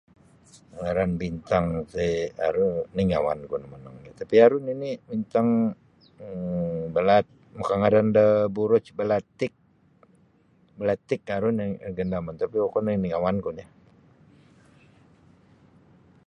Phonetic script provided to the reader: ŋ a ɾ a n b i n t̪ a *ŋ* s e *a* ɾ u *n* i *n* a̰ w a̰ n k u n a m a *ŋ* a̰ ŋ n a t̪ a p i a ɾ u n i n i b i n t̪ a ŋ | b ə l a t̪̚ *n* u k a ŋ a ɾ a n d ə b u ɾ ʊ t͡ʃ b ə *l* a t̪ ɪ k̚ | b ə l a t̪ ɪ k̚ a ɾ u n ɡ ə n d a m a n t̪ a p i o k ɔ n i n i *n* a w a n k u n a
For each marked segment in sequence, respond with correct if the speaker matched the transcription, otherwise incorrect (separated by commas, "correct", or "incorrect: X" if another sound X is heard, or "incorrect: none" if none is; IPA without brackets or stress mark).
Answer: correct, correct, correct, incorrect: ŋ, incorrect: n, incorrect: m, correct, incorrect: ŋ